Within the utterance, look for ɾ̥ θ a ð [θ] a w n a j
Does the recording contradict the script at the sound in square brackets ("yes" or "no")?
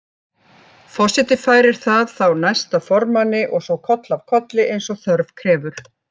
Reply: no